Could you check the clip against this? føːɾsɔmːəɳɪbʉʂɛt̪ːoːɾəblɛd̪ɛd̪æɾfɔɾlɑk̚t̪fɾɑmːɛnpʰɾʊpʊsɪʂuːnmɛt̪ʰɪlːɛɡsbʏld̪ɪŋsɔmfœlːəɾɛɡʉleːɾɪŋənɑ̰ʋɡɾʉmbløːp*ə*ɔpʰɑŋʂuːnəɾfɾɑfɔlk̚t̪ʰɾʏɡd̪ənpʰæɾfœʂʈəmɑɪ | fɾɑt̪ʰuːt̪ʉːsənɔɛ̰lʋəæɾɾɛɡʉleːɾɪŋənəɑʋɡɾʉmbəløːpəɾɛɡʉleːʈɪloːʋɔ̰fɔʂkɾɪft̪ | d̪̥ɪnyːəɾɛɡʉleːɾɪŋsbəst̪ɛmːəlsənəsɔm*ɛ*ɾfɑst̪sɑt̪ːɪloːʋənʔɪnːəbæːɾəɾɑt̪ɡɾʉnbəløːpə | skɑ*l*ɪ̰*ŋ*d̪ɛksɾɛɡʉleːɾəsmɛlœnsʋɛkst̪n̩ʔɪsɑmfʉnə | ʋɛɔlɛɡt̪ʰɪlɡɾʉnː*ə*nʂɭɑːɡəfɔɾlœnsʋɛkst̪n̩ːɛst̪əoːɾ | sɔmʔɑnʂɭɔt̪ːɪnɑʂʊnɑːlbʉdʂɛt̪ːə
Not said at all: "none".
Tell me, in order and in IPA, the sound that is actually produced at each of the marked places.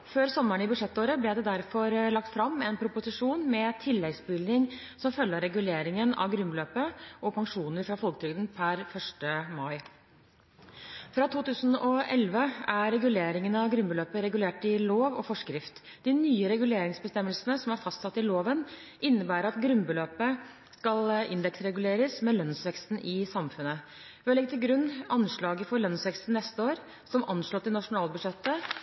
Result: ə, æ, l, n, ɑ

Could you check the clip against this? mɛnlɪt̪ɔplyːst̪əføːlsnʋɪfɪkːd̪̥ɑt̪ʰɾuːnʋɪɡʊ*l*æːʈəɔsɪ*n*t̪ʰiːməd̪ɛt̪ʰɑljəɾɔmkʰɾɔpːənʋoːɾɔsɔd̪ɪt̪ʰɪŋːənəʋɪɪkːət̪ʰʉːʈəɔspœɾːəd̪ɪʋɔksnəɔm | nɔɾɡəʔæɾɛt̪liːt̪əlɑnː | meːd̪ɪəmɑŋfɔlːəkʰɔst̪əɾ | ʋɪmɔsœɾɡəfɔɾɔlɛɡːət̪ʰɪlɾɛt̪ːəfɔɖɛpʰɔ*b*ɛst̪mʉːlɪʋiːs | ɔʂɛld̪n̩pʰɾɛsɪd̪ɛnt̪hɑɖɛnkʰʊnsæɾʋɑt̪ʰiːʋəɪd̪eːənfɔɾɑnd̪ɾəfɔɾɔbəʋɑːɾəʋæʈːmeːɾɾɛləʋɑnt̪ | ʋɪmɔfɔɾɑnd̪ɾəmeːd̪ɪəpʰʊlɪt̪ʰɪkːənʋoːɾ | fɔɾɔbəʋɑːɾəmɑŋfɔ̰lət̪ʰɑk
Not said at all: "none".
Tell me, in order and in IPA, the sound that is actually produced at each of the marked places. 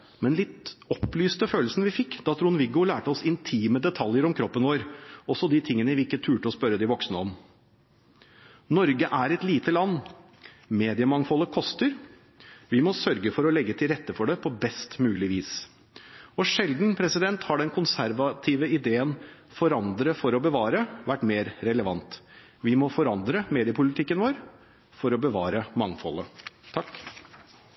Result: l, n, b

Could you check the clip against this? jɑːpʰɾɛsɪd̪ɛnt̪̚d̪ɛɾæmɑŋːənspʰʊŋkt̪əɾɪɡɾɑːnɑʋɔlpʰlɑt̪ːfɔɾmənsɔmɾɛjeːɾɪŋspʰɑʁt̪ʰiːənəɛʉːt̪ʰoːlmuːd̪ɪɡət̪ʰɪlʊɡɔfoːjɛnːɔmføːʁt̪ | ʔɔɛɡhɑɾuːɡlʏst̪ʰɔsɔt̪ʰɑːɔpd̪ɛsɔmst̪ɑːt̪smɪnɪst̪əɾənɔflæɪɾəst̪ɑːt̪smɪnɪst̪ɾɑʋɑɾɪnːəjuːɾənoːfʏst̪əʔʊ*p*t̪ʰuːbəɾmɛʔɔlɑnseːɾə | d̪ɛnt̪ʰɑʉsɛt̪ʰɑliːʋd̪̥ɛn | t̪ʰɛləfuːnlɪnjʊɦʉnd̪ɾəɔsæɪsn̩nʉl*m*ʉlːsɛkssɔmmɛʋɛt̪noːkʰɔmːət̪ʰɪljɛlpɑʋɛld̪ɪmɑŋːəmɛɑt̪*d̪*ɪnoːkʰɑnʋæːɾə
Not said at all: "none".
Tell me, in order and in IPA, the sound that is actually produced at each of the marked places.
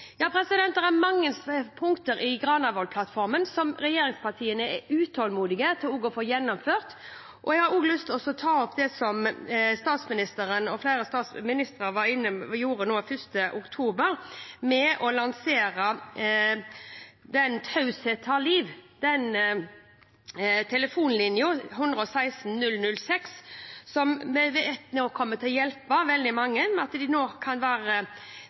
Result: k, n, d̪

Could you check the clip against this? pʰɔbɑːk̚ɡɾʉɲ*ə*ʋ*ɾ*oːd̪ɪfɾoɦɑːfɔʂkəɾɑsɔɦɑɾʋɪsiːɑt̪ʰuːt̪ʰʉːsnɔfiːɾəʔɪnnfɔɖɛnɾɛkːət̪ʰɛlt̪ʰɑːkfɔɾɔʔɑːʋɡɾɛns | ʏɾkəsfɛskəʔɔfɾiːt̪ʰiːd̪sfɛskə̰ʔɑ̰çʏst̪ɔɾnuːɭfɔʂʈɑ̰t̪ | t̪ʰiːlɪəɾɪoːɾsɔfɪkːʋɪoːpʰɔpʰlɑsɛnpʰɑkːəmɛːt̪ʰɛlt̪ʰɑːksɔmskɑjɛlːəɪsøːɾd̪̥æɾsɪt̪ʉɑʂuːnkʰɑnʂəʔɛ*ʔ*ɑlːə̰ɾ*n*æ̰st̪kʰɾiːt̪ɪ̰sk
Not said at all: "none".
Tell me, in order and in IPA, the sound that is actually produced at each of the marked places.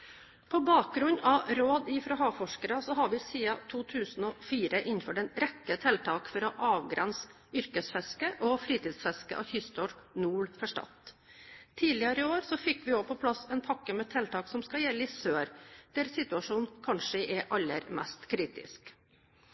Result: ɑ, ɾ, ʔ, m

